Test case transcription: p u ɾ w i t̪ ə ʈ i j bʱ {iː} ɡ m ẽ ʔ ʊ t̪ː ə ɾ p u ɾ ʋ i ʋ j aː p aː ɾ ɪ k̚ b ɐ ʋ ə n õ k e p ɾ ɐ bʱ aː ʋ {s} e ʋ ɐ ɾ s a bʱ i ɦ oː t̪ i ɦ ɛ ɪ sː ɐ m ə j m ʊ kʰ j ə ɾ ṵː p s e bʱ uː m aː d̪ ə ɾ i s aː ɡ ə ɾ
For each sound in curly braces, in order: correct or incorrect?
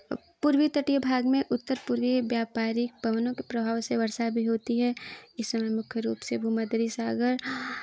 incorrect: aː, correct

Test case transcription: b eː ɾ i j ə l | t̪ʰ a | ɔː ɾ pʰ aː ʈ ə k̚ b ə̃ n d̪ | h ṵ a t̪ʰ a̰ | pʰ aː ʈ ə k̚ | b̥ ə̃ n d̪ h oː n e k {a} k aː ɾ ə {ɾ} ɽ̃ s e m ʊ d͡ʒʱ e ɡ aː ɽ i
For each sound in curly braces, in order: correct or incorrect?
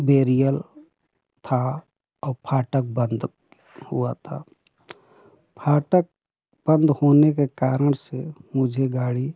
incorrect: e, incorrect: none

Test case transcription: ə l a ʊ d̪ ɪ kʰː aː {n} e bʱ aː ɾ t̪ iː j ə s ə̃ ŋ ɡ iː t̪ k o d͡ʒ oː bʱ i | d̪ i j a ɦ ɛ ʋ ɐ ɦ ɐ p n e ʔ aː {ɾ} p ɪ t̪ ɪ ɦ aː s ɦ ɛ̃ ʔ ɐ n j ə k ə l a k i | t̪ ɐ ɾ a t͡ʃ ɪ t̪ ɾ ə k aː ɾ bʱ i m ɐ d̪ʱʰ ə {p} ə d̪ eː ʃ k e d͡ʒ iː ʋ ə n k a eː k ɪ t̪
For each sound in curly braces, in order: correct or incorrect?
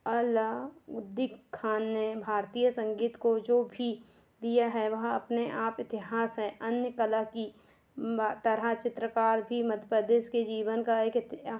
incorrect: nː, incorrect: none, correct

